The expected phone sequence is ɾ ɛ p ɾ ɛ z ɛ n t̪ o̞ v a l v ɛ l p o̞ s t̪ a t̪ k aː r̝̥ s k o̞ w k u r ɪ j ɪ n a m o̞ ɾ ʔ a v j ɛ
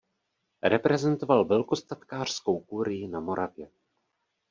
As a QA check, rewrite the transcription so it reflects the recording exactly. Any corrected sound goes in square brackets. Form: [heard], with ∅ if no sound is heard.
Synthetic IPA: ɾ ɛ p ɾ ɛ z ɛ n t̪ o̞ v a l v ɛ l [k] o̞ s t̪ a t̪ k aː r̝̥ s k o̞ w k u [ɾ] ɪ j ɪ n a m o̞ ɾ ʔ a v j ɛ

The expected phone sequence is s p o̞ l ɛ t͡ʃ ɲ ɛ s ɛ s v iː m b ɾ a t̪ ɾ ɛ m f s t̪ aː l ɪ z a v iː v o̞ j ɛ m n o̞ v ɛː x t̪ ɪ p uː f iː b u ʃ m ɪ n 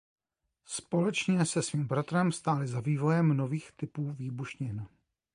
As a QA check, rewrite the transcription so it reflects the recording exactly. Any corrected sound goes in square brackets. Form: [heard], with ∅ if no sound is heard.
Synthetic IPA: s p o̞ l ɛ t͡ʃ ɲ ɛ s ɛ s v iː m b ɾ a t̪ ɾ ɛ m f s t̪ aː l ɪ z a v iː v o̞ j ɛ m n o̞ v [iː] x t̪ ɪ p uː [v] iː b u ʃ [ɲ] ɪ n

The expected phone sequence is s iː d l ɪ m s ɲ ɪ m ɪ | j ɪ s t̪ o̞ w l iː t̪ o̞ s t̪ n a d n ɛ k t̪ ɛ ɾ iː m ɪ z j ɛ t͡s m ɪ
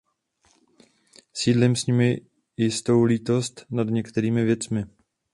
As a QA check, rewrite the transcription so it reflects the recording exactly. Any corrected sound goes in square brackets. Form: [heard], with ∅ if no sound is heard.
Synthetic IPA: s iː d l ɪ m s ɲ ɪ m ɪ | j ɪ s t̪ o̞ w l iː t̪ o̞ s t̪ n a d [ɲ] ɛ k t̪ ɛ ɾ iː m ɪ [v] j ɛ t͡s m ɪ

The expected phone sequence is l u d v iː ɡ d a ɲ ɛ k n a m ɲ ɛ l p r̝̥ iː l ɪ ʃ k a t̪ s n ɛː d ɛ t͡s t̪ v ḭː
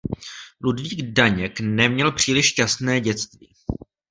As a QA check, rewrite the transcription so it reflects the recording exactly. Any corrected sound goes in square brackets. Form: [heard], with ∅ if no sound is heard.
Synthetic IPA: l u d v iː ɡ d a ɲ ɛ k n [ɛ] m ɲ ɛ l p r̝̥ iː l ɪ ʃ [c] a [∅] s n ɛː [ɟ] ɛ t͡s t̪ v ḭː

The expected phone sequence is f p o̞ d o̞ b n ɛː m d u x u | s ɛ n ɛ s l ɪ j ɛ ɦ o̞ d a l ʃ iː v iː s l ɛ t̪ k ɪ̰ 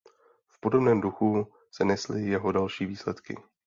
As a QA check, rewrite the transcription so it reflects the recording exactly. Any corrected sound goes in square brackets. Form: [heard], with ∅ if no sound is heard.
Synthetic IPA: f p o̞ d o̞ b n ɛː m d u x u | s ɛ n ɛ s l ɪ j ɛ ɦ o̞ d a l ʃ iː v iː s l ɛ t̪ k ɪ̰

